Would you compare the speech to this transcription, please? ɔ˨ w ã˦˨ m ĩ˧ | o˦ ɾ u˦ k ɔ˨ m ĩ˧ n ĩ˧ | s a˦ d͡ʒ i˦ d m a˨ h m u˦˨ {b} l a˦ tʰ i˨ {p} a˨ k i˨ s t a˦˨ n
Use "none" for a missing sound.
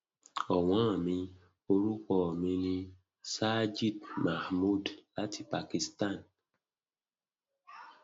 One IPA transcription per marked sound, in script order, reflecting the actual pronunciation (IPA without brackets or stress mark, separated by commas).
d, p